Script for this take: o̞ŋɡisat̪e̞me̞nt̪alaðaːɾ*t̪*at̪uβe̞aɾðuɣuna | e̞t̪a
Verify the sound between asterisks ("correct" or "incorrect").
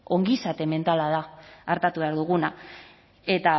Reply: correct